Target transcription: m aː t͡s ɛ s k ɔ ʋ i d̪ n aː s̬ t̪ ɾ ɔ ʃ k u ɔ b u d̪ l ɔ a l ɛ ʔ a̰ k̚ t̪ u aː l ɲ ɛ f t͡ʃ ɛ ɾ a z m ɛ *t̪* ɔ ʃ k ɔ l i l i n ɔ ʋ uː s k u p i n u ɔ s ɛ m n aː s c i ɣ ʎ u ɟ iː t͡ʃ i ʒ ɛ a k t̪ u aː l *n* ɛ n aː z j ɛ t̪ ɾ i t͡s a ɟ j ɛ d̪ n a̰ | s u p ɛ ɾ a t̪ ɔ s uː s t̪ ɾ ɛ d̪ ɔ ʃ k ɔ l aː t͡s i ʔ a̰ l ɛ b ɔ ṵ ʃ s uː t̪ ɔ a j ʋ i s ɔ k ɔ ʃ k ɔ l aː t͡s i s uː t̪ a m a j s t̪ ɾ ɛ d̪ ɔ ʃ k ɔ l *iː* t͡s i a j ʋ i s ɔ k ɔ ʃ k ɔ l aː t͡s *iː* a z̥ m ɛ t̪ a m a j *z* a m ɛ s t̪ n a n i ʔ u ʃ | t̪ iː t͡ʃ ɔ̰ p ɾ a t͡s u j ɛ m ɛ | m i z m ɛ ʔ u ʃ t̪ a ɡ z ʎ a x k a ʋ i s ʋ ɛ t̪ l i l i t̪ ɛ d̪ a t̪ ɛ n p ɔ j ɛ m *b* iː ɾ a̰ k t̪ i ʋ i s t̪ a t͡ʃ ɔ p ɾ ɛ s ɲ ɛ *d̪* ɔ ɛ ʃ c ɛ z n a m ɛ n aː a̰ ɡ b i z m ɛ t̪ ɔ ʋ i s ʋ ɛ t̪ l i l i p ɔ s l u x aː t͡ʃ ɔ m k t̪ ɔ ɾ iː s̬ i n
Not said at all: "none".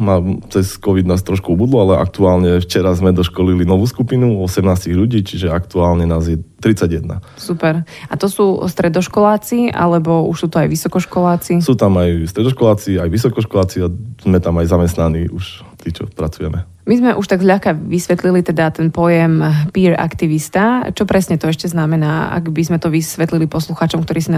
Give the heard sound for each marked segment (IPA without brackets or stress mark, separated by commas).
d̪, ɲ, aː, i, z, p, t̪